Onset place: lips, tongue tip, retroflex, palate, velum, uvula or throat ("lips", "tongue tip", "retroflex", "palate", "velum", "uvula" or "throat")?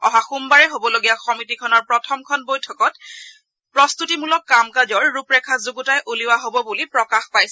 throat